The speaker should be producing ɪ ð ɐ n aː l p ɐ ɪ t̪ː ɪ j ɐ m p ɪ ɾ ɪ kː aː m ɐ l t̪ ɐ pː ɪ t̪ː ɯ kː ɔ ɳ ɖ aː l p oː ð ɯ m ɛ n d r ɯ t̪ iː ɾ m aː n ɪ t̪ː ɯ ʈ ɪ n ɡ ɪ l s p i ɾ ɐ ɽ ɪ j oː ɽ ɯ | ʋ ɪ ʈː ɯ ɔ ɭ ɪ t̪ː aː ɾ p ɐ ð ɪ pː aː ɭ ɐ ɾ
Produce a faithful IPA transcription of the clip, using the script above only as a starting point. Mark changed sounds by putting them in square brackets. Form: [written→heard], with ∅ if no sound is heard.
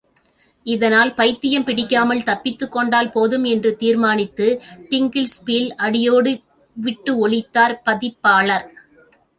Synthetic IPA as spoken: ɪ ð ɐ n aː l p ɐ ɪ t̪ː ɪ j ɐ m p ɪ [ɾ→ɽ] ɪ kː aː m ɐ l t̪ ɐ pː ɪ t̪ː ɯ kː ɔ ɳ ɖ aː l p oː ð ɯ m ɛ n d r ɯ t̪ iː ɾ m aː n ɪ t̪ː ɯ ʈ ɪ [n→ŋ] ɡ ɪ l s p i [ɾ→l] ɐ ɽ ɪ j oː ɽ ɯ | ʋ ɪ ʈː ɯ ɔ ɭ ɪ t̪ː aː ɾ p ɐ ð ɪ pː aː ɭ ɐ ɾ